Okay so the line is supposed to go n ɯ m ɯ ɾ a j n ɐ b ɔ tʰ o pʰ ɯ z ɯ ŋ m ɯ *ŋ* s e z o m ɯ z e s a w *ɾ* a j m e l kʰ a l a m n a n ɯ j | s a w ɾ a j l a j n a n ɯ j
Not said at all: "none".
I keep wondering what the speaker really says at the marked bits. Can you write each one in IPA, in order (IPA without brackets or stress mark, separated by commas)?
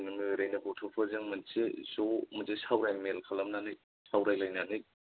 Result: n, ɾ